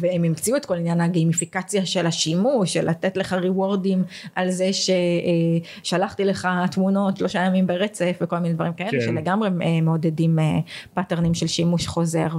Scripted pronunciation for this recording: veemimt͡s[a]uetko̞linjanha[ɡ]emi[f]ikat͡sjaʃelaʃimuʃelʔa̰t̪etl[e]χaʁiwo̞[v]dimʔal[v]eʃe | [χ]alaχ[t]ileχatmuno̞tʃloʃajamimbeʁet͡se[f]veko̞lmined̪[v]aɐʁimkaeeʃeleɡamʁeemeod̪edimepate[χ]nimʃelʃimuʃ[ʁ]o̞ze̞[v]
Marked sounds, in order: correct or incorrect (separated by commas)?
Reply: incorrect, correct, correct, correct, incorrect, incorrect, incorrect, correct, correct, correct, incorrect, incorrect, incorrect